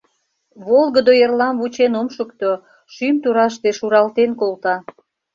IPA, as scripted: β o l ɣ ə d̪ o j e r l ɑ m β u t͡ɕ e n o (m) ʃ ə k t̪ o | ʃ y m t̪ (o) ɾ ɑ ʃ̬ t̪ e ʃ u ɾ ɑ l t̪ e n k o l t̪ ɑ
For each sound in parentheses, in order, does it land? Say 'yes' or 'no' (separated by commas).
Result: yes, no